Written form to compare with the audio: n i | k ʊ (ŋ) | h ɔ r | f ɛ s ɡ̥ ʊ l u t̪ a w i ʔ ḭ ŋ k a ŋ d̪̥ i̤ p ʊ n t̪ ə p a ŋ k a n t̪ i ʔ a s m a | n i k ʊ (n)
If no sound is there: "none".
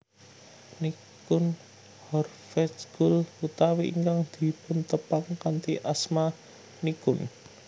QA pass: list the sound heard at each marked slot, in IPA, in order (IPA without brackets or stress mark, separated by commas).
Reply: n, n